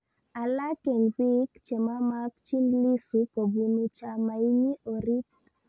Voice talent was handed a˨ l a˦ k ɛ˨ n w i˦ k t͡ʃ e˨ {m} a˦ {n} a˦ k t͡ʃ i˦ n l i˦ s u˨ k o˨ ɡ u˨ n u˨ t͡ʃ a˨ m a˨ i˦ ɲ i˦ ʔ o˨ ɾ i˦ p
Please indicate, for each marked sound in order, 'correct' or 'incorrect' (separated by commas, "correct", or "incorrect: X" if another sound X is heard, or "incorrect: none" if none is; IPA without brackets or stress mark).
correct, incorrect: m